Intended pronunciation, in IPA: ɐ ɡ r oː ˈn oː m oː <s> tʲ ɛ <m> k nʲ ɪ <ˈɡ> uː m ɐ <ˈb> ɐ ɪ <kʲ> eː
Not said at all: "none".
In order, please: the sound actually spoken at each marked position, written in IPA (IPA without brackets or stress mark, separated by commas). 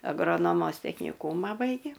s, none, k, b, ɡʲ